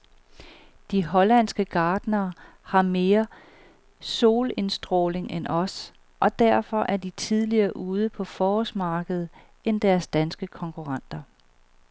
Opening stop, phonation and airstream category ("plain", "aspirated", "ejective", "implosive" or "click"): plain